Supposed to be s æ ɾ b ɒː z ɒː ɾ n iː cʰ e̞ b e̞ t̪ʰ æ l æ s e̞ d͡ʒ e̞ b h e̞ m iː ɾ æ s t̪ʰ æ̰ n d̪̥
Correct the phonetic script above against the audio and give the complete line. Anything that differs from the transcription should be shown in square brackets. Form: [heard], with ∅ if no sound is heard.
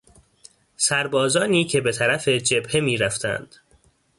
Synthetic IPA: s æ ɾ b ɒː z ɒː [∅] n iː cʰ e̞ b e̞ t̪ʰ æ [ɾ] æ [f] e̞ d͡ʒ e̞ b h e̞ m iː ɾ æ [f] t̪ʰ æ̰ n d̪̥